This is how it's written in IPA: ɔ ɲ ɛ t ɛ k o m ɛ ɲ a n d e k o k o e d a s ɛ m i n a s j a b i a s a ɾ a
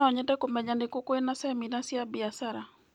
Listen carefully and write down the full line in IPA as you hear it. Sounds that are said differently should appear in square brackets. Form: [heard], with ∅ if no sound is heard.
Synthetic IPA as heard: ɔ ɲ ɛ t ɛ k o m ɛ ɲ a n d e k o k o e [n] a s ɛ m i n a s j a b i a s a ɾ a